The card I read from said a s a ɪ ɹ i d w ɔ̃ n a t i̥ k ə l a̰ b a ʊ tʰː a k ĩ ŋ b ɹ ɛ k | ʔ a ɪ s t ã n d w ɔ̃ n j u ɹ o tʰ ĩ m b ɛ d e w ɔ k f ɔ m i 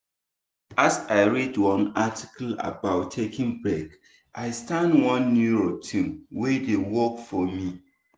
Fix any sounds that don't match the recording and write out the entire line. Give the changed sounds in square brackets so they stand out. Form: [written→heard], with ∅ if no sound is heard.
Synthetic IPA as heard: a s a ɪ ɹ i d w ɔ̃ n a t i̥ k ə l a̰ b a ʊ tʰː [a→e] k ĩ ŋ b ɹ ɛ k | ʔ a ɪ s t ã n d w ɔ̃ [n→nː] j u ɹ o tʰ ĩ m [b→w] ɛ d e w ɔ k f ɔ m i